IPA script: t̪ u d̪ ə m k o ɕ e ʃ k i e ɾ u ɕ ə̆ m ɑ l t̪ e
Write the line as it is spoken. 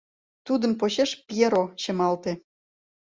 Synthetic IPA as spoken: t̪ u d̪ ə m p o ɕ e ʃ p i e ɾ o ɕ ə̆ m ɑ l t̪ e